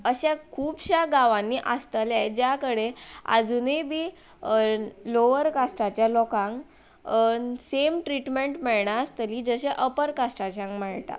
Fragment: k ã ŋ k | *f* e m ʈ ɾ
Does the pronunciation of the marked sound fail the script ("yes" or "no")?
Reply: yes